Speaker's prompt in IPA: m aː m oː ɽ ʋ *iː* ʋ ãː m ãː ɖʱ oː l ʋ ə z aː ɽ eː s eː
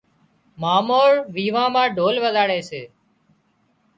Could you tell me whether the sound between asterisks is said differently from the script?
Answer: no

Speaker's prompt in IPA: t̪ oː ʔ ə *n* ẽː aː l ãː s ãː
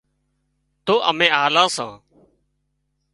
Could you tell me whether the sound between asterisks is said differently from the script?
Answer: yes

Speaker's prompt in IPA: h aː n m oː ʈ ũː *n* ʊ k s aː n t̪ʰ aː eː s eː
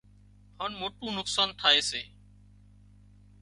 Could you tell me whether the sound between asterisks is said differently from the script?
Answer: no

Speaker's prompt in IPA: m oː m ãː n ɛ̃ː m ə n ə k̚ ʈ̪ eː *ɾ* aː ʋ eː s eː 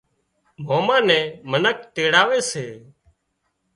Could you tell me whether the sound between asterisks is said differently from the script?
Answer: yes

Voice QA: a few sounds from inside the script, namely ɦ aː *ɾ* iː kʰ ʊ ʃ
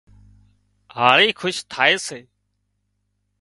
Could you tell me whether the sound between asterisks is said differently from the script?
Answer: no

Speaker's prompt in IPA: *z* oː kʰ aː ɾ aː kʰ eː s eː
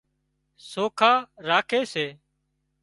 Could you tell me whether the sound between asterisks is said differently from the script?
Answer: yes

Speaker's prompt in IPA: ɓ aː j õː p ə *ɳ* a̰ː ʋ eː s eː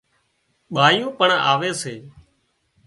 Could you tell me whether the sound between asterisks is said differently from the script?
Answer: no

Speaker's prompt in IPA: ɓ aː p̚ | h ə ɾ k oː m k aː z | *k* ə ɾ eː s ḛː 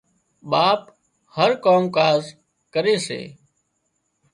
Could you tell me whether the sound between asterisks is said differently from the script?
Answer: no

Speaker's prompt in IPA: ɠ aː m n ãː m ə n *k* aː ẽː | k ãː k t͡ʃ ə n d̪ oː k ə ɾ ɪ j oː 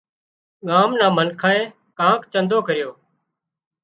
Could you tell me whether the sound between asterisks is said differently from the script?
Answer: yes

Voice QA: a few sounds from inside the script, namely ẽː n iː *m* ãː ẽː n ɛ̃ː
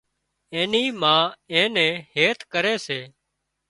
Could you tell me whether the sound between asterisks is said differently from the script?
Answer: no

